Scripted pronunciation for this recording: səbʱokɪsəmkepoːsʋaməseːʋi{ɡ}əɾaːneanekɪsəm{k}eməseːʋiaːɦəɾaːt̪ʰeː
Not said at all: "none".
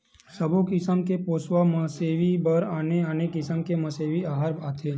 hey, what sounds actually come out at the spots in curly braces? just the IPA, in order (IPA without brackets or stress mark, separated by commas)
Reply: b, k